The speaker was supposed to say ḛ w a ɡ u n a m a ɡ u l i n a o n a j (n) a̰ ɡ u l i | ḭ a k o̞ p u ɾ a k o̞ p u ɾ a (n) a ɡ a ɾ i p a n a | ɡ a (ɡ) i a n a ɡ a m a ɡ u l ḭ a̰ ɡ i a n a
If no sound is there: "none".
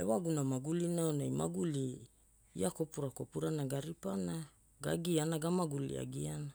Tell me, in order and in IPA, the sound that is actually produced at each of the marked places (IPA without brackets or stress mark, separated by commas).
m, n, ɡ